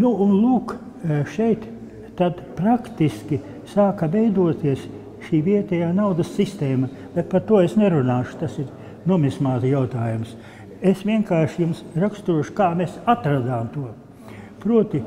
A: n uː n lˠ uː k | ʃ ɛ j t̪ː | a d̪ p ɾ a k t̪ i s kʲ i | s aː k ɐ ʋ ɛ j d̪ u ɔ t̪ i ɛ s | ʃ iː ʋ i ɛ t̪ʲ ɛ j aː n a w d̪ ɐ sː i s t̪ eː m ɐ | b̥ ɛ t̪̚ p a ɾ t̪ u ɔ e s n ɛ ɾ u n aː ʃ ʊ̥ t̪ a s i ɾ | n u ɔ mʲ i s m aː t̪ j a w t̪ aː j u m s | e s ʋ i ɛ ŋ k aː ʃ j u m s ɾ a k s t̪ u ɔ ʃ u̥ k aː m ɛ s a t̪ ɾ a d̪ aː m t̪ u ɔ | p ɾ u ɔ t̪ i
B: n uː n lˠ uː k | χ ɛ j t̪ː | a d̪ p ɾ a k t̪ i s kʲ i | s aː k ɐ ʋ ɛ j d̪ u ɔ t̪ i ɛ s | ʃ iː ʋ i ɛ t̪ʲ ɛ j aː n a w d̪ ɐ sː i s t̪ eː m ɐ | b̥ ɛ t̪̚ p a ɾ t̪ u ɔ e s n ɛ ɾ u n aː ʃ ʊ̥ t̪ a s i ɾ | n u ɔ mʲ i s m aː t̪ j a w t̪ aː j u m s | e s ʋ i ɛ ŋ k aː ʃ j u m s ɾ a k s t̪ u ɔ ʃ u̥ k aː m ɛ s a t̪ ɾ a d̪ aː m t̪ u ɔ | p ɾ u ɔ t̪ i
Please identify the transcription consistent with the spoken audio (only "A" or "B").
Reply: A